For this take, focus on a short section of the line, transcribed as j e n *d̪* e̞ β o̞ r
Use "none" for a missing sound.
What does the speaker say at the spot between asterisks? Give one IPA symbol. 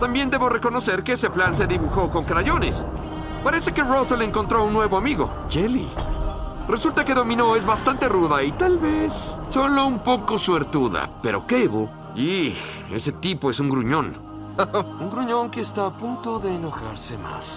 d̪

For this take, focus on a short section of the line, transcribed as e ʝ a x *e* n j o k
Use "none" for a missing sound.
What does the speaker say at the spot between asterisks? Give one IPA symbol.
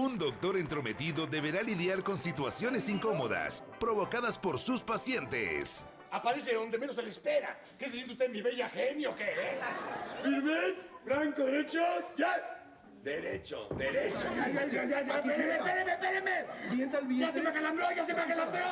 e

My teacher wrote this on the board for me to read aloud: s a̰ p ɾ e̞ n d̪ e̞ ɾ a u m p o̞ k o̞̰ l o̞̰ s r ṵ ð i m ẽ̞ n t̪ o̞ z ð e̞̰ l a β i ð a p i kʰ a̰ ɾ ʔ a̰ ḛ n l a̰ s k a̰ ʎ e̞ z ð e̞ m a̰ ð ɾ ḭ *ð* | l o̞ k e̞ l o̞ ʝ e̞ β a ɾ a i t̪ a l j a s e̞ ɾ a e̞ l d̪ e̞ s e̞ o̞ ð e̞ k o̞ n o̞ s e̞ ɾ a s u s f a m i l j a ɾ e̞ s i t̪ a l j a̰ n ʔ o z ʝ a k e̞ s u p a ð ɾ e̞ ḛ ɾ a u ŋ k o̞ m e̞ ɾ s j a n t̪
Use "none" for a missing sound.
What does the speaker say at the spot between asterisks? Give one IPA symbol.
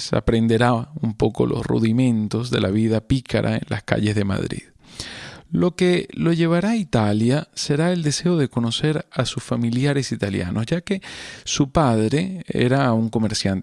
ð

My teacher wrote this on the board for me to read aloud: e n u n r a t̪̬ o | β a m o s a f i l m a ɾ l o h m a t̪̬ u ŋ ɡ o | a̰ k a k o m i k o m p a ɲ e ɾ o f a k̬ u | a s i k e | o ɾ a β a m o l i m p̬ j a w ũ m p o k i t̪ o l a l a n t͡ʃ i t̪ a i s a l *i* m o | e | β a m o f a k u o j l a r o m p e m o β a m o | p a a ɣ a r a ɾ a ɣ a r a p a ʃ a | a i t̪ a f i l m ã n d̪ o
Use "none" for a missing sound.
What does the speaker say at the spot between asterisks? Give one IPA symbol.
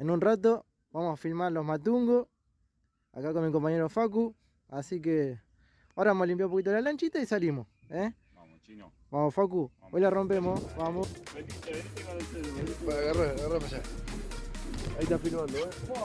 i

